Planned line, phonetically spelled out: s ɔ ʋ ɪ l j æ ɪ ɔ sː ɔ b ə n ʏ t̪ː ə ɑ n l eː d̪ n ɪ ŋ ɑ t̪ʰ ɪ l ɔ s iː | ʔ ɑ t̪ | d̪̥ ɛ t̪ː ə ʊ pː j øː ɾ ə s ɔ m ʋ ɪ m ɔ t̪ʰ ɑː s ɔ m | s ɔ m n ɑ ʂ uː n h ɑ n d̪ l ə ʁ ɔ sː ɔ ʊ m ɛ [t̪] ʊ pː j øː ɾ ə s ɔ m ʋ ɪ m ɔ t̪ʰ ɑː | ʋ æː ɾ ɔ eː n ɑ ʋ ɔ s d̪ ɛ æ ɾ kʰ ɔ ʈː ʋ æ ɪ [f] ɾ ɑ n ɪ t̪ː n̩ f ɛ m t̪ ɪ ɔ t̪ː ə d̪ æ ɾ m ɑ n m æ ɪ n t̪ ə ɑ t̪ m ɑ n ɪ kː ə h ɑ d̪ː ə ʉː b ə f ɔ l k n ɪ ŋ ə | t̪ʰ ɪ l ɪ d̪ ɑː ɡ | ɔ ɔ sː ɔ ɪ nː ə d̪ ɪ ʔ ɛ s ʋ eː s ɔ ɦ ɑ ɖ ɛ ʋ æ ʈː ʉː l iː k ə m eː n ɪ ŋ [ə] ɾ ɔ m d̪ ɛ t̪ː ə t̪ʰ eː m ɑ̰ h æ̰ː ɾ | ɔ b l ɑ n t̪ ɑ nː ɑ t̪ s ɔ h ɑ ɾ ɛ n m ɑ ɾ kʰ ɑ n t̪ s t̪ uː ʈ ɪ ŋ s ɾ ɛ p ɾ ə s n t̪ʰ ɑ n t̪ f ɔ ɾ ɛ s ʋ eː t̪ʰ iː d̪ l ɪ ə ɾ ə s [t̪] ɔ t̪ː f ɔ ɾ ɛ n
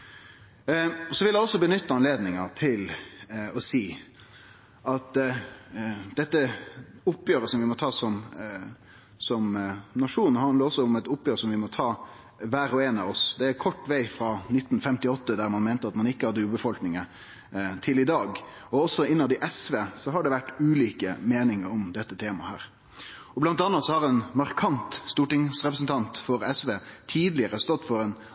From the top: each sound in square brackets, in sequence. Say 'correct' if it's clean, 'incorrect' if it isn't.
correct, correct, correct, correct

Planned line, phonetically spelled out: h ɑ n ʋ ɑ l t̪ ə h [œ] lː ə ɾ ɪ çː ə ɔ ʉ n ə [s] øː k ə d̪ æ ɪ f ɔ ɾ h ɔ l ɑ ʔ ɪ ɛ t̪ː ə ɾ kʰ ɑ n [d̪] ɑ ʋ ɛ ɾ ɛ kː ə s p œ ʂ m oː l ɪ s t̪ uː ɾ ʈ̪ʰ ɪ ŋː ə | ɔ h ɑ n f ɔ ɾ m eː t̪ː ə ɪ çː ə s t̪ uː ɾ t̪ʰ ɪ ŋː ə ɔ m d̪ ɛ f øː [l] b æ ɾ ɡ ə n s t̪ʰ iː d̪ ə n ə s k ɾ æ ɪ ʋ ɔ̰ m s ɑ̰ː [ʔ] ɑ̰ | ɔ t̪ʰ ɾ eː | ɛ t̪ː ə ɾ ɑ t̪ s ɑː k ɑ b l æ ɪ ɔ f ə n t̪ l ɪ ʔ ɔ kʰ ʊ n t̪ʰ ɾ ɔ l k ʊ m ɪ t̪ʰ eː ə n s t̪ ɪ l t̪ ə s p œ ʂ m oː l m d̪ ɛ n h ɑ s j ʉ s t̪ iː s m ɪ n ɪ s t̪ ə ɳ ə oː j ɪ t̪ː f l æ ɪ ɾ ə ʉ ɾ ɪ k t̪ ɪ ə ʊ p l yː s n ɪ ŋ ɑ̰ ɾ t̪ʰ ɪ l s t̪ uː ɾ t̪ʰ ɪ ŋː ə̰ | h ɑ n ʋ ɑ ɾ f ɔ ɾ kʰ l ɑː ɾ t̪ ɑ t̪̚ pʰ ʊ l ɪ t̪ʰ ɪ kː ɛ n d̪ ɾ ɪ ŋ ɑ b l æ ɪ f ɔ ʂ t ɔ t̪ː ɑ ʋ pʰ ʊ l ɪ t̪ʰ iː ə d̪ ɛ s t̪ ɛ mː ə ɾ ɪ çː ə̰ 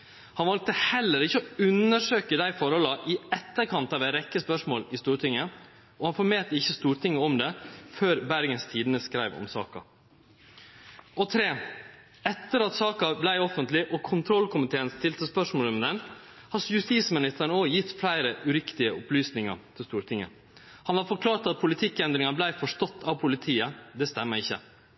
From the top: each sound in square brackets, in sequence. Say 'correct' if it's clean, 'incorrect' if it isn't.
incorrect, incorrect, incorrect, incorrect, incorrect

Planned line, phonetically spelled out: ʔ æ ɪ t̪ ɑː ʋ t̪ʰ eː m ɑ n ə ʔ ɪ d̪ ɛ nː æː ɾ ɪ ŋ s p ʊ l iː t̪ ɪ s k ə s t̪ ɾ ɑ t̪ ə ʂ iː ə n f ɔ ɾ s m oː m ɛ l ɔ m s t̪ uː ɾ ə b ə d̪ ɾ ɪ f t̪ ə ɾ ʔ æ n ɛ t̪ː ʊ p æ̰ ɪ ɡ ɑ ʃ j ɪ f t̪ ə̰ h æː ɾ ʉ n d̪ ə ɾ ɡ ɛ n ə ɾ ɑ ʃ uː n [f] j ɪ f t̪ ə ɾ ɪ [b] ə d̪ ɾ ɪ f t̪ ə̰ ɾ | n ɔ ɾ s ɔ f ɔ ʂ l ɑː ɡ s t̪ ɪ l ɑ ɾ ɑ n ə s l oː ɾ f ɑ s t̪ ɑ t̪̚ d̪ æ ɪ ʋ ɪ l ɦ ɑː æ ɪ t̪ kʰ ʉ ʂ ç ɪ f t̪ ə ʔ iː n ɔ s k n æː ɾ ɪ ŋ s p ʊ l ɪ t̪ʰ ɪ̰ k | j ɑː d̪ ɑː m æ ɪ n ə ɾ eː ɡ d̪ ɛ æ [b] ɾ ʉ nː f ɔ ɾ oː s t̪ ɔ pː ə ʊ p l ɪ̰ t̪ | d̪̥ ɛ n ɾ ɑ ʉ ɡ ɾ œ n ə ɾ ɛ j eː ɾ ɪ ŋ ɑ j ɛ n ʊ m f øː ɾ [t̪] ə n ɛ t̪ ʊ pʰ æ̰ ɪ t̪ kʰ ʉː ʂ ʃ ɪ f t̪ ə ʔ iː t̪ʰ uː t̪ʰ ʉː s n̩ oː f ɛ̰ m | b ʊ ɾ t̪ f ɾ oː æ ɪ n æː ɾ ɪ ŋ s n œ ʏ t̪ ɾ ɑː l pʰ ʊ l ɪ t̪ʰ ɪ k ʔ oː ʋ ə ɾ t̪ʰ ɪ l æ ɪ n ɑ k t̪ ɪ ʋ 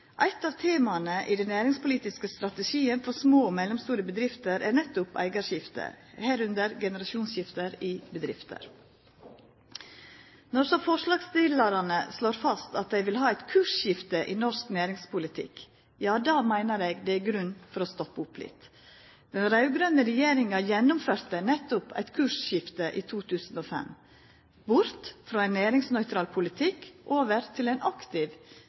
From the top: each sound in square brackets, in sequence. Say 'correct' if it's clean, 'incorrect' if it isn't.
incorrect, correct, incorrect, correct

